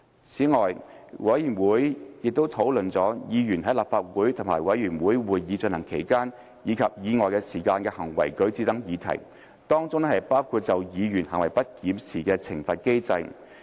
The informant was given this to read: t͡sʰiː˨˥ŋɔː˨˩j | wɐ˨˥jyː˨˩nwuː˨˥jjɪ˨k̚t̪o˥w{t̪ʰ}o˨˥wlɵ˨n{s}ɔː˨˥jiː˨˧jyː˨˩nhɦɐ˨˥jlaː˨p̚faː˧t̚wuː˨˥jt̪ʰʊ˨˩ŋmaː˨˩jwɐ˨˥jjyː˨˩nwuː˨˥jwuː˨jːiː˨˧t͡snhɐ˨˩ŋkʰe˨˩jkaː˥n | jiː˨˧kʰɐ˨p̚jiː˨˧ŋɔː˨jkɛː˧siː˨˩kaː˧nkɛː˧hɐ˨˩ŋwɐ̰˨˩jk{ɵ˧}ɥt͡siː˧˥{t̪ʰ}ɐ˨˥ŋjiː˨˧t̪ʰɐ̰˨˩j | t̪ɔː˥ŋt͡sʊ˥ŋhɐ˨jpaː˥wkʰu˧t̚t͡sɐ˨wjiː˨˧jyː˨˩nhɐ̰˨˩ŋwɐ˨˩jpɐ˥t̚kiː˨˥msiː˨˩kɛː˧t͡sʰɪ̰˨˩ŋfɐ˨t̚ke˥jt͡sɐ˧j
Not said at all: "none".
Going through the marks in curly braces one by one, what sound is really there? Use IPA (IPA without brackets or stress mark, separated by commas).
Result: t̪ʰ, t͡s, ɵ˨˥, t̪